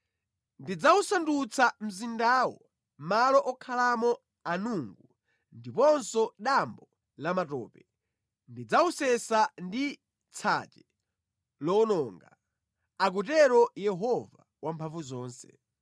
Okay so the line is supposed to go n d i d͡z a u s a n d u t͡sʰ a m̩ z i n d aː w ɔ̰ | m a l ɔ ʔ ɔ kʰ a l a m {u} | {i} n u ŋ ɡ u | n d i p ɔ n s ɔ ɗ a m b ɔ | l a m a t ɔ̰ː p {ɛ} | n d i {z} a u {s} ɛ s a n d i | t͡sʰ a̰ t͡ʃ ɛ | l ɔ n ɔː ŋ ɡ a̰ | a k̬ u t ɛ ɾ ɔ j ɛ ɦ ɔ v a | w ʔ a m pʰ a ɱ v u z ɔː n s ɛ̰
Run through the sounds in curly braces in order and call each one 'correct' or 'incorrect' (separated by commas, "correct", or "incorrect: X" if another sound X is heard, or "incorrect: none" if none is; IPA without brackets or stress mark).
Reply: incorrect: ɔ, incorrect: a, correct, incorrect: d͡z, correct